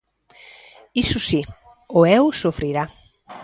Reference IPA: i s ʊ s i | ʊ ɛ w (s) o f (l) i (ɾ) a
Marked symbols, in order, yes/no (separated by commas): yes, no, yes